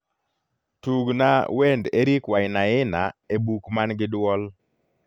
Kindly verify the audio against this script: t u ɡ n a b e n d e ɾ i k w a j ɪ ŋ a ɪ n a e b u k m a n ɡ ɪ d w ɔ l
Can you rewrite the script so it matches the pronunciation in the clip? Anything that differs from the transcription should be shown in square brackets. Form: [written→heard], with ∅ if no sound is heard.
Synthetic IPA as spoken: t u ɡ n a [b→w] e n d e ɾ i k w a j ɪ [ŋ→n] a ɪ n a e b u k m a n ɡ ɪ d w ɔ l

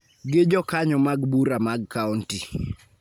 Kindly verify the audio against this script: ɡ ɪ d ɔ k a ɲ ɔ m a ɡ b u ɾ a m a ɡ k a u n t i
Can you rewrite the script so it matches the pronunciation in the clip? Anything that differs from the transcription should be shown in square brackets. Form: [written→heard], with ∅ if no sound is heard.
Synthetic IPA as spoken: ɡ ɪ [d→d͡ʒ] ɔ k a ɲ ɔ m a ɡ b u ɾ a m a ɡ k a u n t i

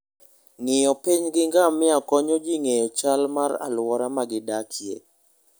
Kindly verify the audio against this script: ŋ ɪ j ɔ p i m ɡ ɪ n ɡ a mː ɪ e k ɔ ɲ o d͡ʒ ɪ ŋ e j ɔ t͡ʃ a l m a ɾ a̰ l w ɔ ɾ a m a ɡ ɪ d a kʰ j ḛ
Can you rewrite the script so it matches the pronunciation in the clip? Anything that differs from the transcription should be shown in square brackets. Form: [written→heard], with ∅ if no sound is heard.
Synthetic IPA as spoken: ŋ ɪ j ɔ p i [m→ɲ] ɡ ɪ [n→ŋ] ɡ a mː ɪ [e→a] k ɔ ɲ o d͡ʒ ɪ ŋ e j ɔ t͡ʃ a l m a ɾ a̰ l w ɔ ɾ a m a ɡ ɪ d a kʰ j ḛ

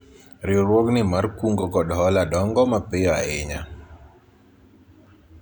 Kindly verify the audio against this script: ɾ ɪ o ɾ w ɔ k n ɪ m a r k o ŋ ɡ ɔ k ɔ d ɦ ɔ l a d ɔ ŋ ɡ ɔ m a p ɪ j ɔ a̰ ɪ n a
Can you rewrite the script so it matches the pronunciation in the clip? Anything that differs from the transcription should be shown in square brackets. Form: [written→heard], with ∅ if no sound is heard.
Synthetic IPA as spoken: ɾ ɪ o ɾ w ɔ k n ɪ m a r k [o→u] ŋ ɡ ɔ k ɔ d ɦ ɔ l a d ɔ ŋ ɡ ɔ m a p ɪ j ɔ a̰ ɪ [n→ɲ] a

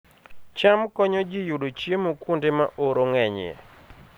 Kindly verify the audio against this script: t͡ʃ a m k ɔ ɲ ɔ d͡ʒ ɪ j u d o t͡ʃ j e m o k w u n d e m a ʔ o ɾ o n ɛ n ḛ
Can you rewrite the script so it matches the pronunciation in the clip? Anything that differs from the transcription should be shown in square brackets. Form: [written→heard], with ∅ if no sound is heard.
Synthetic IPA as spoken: t͡ʃ a m k ɔ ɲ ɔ d͡ʒ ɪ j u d o t͡ʃ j e m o k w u n d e m a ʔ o ɾ o [n→ŋ] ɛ [n→ɲ] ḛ

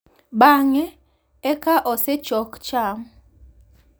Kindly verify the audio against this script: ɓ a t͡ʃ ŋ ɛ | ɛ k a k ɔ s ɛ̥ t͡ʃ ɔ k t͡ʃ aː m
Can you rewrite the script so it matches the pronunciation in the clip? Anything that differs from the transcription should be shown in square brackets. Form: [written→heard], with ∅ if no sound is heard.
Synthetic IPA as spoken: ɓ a [t͡ʃ→∅] ŋ ɛ | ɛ k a [k→ʔ] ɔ s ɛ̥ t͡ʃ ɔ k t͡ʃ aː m

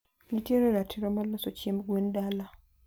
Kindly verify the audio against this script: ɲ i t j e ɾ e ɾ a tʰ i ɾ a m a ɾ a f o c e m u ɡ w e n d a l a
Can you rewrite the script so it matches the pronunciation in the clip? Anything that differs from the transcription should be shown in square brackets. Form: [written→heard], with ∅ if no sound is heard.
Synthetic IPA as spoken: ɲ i t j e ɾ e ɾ a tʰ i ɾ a m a [ɾ→l] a [f→s] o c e m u ɡ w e n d a l a

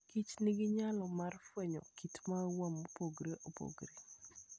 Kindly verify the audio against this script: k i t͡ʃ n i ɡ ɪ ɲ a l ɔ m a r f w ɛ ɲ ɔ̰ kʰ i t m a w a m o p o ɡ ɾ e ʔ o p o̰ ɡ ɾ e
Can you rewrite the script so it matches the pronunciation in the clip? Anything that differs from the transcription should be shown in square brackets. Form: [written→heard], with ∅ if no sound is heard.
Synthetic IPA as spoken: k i t͡ʃ n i ɡ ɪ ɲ a l ɔ m a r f w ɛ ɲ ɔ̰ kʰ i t m a w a m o p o ɡ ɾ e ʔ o p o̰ ɡ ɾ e

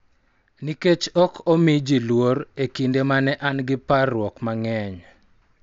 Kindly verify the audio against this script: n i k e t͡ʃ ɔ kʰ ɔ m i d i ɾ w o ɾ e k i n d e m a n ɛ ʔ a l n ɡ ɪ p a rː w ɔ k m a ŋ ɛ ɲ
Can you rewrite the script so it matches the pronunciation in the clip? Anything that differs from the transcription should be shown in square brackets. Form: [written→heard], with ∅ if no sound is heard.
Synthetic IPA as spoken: n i k e t͡ʃ ɔ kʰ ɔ m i [d→d͡ʒ] i [ɾ→l] w o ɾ e k i n d e m a n ɛ ʔ a [l→∅] n ɡ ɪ p a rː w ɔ k m a ŋ ɛ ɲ

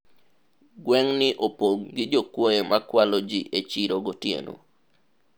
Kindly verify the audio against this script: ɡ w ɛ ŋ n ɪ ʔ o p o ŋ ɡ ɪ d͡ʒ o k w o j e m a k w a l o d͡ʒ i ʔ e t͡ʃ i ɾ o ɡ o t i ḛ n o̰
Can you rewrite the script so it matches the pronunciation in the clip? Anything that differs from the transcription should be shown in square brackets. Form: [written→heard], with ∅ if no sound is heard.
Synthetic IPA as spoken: ɡ w ɛ ŋ n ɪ ʔ o p o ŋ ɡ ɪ d͡ʒ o k w o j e m a k w a l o d͡ʒ i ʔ e t͡ʃ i ɾ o ɡ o t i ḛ n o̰

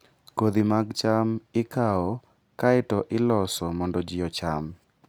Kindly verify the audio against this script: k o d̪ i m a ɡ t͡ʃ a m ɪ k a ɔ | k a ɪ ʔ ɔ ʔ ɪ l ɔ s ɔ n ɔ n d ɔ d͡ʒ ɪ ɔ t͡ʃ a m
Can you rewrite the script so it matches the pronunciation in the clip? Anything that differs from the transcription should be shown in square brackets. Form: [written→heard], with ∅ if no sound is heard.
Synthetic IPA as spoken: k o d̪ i m a ɡ t͡ʃ a m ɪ k a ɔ | k a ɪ [ʔ→t] ɔ ʔ ɪ l ɔ s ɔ [n→m] ɔ n d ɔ d͡ʒ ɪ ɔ t͡ʃ a m

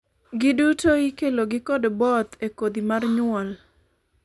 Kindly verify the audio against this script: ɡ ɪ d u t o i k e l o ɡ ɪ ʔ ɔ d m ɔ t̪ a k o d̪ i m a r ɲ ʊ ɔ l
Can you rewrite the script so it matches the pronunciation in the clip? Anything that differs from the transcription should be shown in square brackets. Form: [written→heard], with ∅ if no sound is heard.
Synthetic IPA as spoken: ɡ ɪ d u t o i k e l o ɡ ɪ [ʔ→k] ɔ d [m→b] ɔ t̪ [a→e] k o d̪ i m a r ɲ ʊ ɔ l

